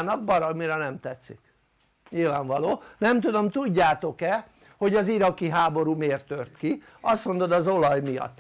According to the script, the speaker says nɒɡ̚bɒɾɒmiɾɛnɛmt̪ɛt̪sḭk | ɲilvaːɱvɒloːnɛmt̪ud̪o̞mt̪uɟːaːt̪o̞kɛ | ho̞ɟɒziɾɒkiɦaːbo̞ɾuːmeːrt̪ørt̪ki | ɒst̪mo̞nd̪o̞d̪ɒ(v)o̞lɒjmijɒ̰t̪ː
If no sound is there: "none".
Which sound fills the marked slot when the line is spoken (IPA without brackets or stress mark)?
z